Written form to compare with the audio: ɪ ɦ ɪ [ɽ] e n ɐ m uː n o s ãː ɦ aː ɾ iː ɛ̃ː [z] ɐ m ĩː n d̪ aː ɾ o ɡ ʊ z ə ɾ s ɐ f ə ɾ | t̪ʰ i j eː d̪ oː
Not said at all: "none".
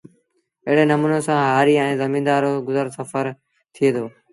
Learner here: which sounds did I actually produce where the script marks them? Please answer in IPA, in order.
ɽ, z

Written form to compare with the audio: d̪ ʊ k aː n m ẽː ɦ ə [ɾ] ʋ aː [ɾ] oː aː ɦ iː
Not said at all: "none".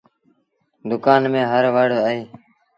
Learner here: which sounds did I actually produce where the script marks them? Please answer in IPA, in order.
ɾ, ɽ

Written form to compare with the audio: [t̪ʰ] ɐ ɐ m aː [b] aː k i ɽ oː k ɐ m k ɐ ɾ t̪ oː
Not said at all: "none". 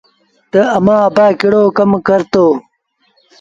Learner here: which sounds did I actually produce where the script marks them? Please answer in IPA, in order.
t̪, b

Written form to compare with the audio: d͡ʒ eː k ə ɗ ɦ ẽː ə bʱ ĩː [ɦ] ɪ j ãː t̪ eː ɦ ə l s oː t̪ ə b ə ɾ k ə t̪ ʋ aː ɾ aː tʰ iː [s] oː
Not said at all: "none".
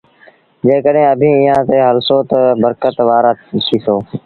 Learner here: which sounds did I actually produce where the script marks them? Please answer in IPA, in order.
none, s

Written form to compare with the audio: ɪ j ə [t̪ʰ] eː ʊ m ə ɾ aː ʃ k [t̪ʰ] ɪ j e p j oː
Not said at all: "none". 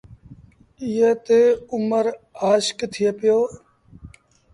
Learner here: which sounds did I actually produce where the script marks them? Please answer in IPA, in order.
t̪, t̪ʰ

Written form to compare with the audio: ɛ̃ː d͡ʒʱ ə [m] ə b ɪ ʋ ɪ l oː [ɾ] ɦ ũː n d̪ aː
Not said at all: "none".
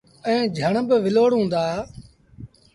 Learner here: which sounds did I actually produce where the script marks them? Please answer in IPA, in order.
ɳ, ɽ

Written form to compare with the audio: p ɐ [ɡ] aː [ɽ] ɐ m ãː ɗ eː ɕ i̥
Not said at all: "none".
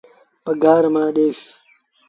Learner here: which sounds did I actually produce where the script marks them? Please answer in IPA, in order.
ɡ, ɾ

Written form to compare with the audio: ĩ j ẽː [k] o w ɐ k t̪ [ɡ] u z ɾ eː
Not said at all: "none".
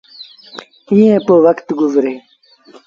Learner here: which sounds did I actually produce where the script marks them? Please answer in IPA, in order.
p, ɡ

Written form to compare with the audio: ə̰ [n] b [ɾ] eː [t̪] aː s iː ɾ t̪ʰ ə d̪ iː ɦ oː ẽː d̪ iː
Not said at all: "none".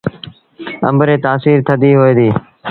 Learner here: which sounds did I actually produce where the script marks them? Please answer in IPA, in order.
m, ɾ, t̪

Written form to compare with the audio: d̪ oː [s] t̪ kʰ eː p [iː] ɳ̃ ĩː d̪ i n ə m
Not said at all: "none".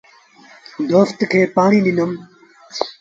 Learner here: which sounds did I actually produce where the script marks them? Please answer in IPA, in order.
f, aː

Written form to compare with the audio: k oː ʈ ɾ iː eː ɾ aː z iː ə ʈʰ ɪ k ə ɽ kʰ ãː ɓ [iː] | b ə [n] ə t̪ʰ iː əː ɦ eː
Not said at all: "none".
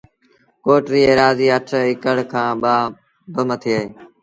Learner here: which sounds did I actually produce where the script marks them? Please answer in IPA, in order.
aː, m

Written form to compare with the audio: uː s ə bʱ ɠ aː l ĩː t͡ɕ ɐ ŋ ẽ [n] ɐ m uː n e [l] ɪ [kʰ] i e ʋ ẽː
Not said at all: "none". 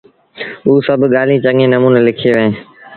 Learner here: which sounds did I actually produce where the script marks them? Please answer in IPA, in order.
n, l, kʰ

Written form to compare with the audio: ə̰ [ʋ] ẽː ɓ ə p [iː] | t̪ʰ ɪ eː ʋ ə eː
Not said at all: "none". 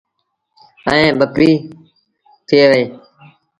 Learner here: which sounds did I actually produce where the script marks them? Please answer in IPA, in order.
none, iː

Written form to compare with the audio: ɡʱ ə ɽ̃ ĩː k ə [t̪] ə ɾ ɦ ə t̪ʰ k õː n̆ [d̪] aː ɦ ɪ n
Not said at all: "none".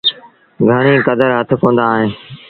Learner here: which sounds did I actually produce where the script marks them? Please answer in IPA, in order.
d̪, d̪

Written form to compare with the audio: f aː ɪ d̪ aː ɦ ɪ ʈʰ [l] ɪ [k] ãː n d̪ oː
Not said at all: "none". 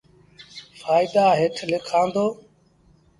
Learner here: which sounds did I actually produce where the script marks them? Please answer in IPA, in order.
l, kʰ

